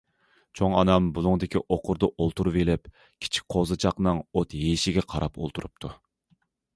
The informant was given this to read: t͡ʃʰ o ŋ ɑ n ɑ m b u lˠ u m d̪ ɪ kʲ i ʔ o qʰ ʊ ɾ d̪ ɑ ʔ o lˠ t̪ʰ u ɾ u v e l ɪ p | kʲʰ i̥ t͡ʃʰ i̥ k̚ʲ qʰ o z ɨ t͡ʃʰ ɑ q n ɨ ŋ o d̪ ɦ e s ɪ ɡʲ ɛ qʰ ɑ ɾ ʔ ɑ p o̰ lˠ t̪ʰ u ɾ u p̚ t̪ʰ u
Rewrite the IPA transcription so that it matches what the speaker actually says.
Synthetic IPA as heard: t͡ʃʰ o ŋ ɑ n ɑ m b u lˠ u ŋ d̪ ɪ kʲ i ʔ o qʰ ʊ ɾ d̪ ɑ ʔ o lˠ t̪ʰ u ɾ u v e l ɪ p | kʲʰ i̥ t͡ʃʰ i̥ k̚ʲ qʰ o z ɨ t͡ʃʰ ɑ q n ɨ ŋ o t̪ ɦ e ʃ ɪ ɡʲ ɛ qʰ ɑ ɾ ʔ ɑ p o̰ lˠ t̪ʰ u ɾ u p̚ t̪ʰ u